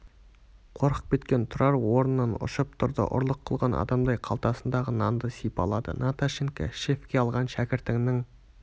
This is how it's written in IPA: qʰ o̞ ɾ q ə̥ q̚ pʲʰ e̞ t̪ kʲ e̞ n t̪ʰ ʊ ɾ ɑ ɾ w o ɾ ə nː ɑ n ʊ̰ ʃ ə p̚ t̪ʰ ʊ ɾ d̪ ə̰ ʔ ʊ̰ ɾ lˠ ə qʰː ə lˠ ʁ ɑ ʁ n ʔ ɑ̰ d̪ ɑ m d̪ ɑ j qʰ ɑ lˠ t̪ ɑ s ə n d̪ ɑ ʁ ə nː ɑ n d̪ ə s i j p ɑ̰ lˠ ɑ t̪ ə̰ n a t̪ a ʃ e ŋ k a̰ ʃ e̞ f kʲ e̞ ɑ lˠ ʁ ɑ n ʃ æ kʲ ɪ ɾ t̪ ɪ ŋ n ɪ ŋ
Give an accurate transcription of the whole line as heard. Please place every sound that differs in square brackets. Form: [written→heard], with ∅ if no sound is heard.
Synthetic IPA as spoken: qʰ o̞ ɾ q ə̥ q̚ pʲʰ e̞ t̪ kʲ e̞ n t̪ʰ ʊ ɾ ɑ ɾ w o ɾ ə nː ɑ n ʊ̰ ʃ ə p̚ t̪ʰ ʊ ɾ d̪ ə̰ ʔ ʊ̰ ɾ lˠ ə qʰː ə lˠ ʁ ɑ [ʁ→∅] n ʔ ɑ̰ d̪ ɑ m d̪ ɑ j qʰ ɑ lˠ t̪ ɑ s ə n d̪ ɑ ʁ ə [nː→n] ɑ n d̪ ə s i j p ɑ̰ lˠ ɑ [t̪→d̪] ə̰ n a t̪ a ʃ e ŋ k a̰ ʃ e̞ f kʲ e̞ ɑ lˠ ʁ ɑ n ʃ æ kʲ ɪ ɾ t̪ ɪ ŋ n ɪ ŋ

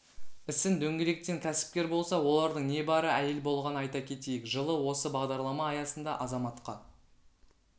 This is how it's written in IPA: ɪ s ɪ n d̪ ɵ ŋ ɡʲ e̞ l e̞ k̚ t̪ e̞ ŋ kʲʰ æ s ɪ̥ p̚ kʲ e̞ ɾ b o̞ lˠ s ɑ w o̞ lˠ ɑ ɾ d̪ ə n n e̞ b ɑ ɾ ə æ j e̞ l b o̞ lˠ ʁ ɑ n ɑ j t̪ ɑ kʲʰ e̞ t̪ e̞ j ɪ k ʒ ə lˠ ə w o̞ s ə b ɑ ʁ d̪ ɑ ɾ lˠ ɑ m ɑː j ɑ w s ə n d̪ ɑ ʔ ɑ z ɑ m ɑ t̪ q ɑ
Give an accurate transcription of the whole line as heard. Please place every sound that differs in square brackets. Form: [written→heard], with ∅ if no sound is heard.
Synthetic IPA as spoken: ɪ s ɪ n d̪ ɵ ŋ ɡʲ e̞ l e̞ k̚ t̪ e̞ ŋ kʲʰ æ s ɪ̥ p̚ kʲ e̞ ɾ b o̞ lˠ s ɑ w o̞ lˠ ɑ ɾ d̪ ə [n→ɴ] n e̞ b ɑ ɾ ə æ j e̞ l b o̞ lˠ ʁ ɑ n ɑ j t̪ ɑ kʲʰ e̞ t̪ e̞ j ɪ k ʒ ə lˠ ə w o̞ s ə b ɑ ʁ d̪ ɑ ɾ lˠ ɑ m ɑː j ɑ [w→∅] s ə n d̪ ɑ ʔ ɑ z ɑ m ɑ t̪ q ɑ

